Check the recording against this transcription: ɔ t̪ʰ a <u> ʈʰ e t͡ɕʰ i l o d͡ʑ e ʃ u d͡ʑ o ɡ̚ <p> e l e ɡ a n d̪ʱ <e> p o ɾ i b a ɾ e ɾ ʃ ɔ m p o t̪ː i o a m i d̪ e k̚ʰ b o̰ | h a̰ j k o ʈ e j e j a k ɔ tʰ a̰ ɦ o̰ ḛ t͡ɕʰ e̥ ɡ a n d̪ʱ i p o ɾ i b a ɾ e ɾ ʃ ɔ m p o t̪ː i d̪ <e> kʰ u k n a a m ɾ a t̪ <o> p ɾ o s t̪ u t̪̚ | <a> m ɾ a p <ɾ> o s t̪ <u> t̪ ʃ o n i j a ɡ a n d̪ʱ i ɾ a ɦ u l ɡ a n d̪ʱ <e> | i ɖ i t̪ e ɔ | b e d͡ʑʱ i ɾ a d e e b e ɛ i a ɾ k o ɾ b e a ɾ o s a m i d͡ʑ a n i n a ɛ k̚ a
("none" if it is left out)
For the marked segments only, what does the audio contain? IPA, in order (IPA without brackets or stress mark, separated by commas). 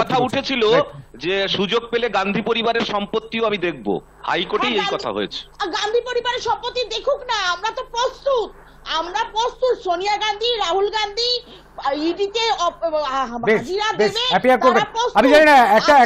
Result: u, p, i, e, o, a, ɾ, u, i